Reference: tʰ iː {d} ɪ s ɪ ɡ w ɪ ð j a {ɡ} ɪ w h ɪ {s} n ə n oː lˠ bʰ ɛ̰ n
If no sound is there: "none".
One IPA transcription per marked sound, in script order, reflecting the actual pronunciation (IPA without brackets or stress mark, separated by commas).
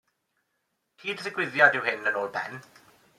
d, d, none